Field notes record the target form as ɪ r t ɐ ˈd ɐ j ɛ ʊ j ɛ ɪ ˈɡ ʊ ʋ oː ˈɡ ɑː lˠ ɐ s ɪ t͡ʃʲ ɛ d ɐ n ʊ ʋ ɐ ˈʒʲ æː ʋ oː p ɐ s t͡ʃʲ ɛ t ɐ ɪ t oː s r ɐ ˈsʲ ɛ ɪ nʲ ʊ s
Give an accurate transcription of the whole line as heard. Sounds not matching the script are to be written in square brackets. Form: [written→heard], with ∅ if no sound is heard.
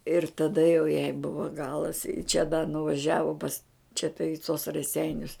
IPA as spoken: ɪ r t ɐ ˈd ɐ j ɛ ʊ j ɛ ɪ [ˈɡ→ˈb] ʊ ʋ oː ˈɡ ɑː lˠ ɐ s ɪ t͡ʃʲ ɛ d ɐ n ʊ ʋ ɐ ˈʒʲ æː ʋ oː p ɐ s t͡ʃʲ ɛ t ɐ ɪ t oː s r ɐ ˈsʲ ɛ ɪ nʲ ʊ s